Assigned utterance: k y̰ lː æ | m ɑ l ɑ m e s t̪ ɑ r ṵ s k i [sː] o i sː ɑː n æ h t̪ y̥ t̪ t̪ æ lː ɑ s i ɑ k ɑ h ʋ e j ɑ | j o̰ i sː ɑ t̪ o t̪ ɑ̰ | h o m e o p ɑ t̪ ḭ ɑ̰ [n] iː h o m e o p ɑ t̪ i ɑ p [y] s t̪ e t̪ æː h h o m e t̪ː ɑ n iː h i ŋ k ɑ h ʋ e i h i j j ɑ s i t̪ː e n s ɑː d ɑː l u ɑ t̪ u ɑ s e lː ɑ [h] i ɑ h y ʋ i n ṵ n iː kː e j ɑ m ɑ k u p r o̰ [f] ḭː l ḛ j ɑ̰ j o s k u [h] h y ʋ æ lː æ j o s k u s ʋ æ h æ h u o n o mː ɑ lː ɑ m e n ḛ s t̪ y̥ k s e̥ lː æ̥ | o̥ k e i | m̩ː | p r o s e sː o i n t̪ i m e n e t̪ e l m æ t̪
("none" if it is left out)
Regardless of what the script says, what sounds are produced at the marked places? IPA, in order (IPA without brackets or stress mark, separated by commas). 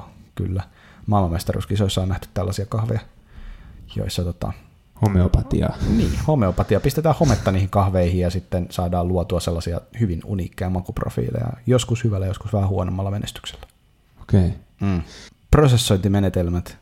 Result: s, n, i, s, f, s